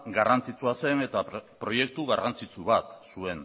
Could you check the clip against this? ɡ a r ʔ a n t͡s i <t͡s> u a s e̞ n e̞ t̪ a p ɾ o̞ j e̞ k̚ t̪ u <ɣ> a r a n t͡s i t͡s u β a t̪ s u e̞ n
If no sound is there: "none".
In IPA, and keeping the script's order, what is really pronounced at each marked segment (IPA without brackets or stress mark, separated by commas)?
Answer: t͡s, ɣ